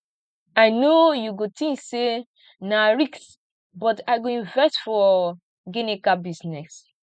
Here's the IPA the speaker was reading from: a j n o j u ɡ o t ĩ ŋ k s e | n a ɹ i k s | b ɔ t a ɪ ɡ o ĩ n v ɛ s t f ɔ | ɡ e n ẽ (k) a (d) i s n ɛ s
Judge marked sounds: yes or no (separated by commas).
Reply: yes, no